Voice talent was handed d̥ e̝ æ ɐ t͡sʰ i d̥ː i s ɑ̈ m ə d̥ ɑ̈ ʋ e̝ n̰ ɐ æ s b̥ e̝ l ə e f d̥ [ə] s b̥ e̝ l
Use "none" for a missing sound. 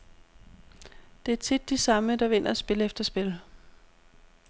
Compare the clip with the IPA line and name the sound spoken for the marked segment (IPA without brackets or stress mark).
ɐ